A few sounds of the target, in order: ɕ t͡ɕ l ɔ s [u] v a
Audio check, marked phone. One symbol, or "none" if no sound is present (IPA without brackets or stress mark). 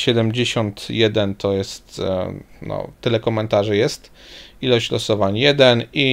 ɔ